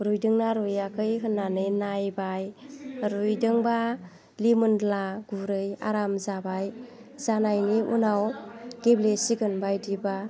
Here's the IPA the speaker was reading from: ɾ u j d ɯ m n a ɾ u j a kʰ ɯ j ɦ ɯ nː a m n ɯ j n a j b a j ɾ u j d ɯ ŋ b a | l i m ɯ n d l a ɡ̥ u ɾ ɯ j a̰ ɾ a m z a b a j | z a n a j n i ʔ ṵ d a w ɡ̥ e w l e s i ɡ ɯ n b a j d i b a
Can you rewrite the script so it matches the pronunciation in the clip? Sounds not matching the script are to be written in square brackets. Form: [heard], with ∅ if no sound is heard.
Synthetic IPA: ɾ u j d ɯ [ŋ] n a ɾ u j a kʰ ɯ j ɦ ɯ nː a [∅] n ɯ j n a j b a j ɾ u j d ɯ ŋ b a | l i m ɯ n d l a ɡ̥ u ɾ ɯ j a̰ ɾ a m z a b a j | z a n a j n i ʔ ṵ [n] a w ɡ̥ e [b] l e s i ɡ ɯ n b a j d i b a

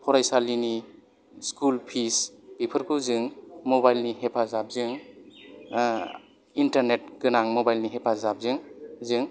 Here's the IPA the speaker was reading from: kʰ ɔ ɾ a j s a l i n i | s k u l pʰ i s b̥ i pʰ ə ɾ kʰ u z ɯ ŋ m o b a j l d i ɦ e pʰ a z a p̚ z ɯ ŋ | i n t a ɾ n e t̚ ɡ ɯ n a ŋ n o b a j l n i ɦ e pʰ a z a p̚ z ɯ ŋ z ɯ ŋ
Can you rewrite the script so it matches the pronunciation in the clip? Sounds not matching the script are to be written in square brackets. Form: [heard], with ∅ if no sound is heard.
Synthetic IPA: [pʰ] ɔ ɾ a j s a l i n i | s k u l pʰ i s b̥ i pʰ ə ɾ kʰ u z ɯ ŋ m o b a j l [n] i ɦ e pʰ a z a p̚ z ɯ ŋ | i n t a ɾ n e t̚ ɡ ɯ n a ŋ [m] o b a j l n i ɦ e pʰ a z a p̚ z ɯ ŋ z ɯ ŋ

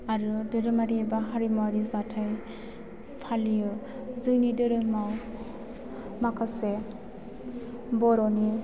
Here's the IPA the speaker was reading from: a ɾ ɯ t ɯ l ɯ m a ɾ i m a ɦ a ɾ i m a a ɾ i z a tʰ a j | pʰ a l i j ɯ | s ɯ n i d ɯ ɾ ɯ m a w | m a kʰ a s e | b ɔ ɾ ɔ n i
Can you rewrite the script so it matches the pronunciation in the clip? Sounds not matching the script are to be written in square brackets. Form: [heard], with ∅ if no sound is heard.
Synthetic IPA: a ɾ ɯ [d] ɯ [ɾ] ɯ m a ɾ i [b] a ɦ a ɾ i m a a ɾ i z a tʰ a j | pʰ a l i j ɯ | [z] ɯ n i d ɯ ɾ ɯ m a w | m a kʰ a s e | b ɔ ɾ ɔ n i

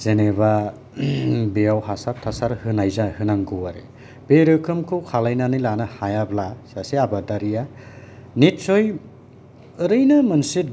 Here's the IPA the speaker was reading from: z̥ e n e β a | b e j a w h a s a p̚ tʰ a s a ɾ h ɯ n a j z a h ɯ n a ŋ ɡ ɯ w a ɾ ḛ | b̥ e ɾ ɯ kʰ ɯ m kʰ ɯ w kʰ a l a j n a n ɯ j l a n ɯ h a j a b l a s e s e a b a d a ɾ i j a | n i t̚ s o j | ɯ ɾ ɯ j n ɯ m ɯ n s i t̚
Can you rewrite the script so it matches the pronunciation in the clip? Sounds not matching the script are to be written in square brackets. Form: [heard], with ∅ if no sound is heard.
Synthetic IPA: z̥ e n e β a | b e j a w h a s a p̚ tʰ a s a ɾ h ɯ n a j z a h ɯ n a ŋ ɡ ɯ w a ɾ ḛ | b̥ e ɾ ɯ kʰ ɯ m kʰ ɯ w kʰ a l a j n a n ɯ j l a n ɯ h a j a b l a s [a] s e a b a d a ɾ i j a | n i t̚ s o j | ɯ ɾ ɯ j n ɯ m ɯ n s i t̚

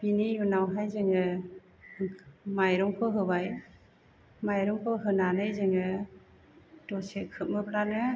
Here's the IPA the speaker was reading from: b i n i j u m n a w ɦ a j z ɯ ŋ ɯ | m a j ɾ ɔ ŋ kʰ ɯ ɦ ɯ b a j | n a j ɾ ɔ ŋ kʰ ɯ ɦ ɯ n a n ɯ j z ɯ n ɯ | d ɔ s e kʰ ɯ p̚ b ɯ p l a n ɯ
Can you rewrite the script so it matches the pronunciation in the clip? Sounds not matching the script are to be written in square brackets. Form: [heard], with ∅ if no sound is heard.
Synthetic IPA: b i n i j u [∅] n a w ɦ a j z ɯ ŋ ɯ | m a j ɾ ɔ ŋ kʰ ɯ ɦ ɯ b a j | [m] a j ɾ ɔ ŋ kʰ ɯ ɦ ɯ n a n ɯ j z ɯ [ŋ] ɯ | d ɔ s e kʰ ɯ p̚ [m] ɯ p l a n ɯ

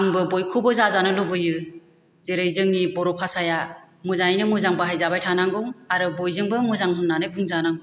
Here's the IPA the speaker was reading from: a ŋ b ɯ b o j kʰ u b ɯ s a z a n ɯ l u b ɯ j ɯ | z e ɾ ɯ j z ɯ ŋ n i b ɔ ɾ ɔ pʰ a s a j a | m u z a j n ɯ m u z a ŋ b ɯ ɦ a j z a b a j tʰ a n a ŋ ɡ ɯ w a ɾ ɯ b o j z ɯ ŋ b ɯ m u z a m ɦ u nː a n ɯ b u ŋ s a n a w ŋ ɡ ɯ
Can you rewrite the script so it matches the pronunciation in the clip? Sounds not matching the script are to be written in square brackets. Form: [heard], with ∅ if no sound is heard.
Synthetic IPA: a ŋ b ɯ b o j kʰ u b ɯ [z] a z a n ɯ l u b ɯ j ɯ | z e ɾ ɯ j z ɯ ŋ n i b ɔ ɾ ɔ pʰ a s a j a | m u z a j n ɯ m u z a ŋ b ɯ ɦ a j z a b a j tʰ a n a ŋ ɡ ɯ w a ɾ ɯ b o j z ɯ ŋ b ɯ m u z a [ŋ] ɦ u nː a n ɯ b u ŋ [z] a n a [∅] ŋ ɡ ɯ

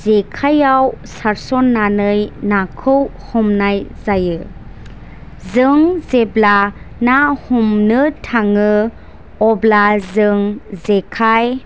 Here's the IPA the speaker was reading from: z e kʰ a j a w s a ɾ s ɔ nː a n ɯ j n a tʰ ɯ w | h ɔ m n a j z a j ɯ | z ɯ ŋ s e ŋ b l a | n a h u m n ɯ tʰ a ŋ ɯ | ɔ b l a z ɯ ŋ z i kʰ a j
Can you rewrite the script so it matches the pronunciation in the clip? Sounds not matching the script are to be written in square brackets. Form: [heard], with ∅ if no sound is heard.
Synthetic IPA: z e kʰ a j a w s a ɾ s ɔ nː a n ɯ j n a [kʰ] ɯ w | h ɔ m n a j z a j ɯ | z ɯ ŋ [z] e [∅] b l a | n a h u m n ɯ tʰ a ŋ ɯ | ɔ b l a z ɯ ŋ z [e] kʰ a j

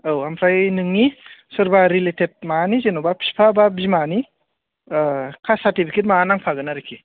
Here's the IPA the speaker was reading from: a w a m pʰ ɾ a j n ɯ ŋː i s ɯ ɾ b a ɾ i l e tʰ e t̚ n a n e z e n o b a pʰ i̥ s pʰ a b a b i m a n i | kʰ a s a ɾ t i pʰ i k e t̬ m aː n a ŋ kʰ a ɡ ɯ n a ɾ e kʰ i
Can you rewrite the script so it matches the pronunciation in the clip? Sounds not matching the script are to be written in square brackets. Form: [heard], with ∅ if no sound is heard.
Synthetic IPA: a w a m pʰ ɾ a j n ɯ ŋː i s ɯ ɾ b a ɾ i l e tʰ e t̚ [m] a n [i] z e n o b a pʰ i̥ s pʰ a b a b i m a n i | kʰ a s a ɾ t i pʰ i k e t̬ m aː n a ŋ [pʰ] a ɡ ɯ n a ɾ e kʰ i

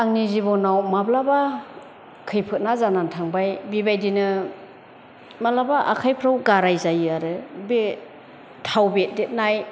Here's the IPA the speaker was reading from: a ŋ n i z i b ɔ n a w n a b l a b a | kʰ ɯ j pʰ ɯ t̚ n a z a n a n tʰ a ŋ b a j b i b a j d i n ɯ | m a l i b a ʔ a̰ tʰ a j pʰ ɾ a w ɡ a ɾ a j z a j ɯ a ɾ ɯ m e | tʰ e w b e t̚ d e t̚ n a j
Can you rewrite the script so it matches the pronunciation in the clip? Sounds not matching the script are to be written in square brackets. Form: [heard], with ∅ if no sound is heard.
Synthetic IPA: a ŋ n i z i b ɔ n a w [m] a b l a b a | kʰ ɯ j pʰ ɯ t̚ n a z a n a n tʰ a ŋ b a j b i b a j d i n ɯ | m a l [a] b a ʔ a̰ [kʰ] a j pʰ ɾ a w ɡ a ɾ a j z a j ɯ a ɾ ɯ [b] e | tʰ [a] w b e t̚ d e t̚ n a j

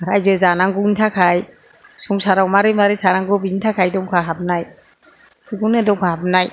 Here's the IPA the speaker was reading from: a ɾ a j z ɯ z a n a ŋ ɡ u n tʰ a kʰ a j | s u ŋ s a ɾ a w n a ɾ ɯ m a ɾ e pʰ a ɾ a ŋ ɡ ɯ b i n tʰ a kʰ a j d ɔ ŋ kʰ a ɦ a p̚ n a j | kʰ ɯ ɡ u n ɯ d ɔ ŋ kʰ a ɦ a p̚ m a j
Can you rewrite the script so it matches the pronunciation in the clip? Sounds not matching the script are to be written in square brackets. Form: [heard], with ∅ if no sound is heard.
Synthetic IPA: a ɾ a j z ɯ z a n a ŋ ɡ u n tʰ a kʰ a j | s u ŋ s a ɾ a w [m] a ɾ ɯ m a ɾ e [tʰ] a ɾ a ŋ ɡ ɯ b i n tʰ a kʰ a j d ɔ ŋ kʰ a ɦ a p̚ n a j | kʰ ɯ ɡ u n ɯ d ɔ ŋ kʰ a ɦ a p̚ [n] a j

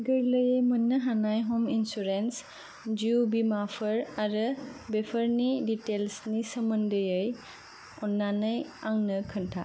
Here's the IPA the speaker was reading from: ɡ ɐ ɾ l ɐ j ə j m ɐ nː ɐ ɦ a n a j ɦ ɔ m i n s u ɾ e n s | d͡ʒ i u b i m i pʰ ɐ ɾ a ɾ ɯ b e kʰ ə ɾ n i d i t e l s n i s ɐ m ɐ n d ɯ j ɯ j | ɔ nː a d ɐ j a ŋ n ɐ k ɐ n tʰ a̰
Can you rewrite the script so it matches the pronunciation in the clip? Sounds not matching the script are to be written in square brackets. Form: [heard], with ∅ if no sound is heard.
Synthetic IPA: ɡ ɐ ɾ l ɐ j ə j m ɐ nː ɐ ɦ a n a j ɦ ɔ m i n s u ɾ e n s | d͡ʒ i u b i m [a] pʰ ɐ ɾ a ɾ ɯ b e [pʰ] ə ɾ n i d i t e l s n i s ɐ m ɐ n d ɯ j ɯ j | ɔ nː a [n] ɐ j a ŋ n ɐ [kʰ] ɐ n tʰ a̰

